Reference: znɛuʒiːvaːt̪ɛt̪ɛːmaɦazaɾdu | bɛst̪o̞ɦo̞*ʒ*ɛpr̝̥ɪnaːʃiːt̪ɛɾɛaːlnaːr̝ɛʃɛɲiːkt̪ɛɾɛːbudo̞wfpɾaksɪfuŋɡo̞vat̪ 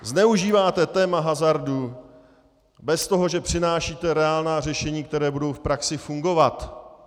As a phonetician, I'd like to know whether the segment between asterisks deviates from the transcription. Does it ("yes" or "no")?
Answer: no